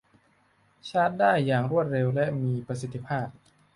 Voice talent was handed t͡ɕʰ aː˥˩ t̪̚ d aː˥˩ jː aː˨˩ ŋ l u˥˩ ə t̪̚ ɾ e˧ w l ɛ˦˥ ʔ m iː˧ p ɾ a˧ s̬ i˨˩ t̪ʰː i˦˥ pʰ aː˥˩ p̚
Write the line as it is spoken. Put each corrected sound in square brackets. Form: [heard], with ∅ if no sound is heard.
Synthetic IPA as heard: t͡ɕʰ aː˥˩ t̪̚ d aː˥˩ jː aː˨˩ ŋ [ɾ] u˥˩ ə t̪̚ ɾ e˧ w l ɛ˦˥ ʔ m iː˧ p ɾ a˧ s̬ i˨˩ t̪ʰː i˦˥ pʰ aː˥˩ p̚